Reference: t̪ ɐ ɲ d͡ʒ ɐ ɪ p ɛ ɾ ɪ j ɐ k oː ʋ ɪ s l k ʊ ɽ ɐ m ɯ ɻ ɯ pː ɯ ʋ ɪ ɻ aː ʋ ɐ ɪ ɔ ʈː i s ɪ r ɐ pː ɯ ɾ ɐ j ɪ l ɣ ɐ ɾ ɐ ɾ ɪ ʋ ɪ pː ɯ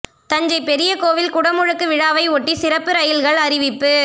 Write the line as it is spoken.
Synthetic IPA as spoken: t̪ ɐ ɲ d͡ʒ ɐ ɪ p ɛ ɾ ɪ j ɐ k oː ʋ ɪ l k ʊ ɽ ɐ m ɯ ɻ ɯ kː ɯ ʋ ɪ ɻ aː ʋ ɐ ɪ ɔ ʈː i s ɪ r ɐ pː ɯ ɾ ɐ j ɪ l ɣ ɐ ɭ ɐ ɾ ɪ ʋ ɪ pː ɯ

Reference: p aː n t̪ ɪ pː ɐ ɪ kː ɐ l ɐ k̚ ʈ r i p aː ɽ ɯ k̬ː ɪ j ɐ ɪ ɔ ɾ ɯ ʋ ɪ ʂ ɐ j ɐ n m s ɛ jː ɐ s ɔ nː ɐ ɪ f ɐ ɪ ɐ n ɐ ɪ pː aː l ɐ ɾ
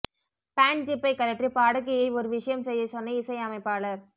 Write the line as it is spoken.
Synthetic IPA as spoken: p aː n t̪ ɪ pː ɐ ɪ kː ɐ l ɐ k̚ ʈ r i p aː ɽ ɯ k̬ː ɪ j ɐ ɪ ɔ ɾ ɯ ʋ ɪ ʂ ɐ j ɐ m s ɛ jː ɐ s ɔ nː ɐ ɪ s ɐ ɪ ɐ m ɐ ɪ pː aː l ɐ ɾ

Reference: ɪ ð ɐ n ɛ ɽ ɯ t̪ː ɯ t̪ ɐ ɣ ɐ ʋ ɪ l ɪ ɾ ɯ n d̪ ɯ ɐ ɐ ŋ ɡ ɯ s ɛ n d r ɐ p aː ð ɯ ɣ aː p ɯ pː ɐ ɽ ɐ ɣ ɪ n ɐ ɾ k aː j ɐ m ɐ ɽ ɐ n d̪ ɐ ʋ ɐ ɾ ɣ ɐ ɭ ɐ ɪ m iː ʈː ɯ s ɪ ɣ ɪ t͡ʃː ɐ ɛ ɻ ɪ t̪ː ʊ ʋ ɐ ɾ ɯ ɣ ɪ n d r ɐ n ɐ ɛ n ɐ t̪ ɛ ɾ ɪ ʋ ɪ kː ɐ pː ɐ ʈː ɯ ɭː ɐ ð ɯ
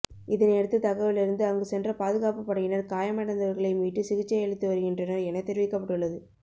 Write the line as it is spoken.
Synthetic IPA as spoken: ɪ ð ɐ n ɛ ɽ ɯ t̪ː ɯ t̪ ɐ ɣ ɐ ʋ ɪ l ɪ ɾ ɯ n d̪ ɯ ɐ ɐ ŋ ɡ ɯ s ɛ n d r ɐ p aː ð ɯ ɣ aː p ɯ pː ɐ ɽ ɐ ɣ ɪ n ɐ ɾ k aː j ɐ m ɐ ɽ ɐ n d̪ ɐ ʋ ɐ ɾ ɣ ɐ ɭ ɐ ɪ m iː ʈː ɯ s ɪ ɣ ɪ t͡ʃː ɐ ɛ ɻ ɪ t̪ː ɯ ʋ ɐ ɾ ɯ ɣ ɪ n d r ɐ n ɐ ɛ n ɐ t̪ ɛ ɾ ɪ ʋ ɪ kː ɐ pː ɐ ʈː ɯ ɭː ɐ ð ɯ

